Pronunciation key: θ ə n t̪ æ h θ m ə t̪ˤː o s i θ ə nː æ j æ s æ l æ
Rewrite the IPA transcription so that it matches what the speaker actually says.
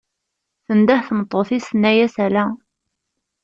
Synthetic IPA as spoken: θ ə n d̪ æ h θ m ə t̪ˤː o θ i s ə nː æ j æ s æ l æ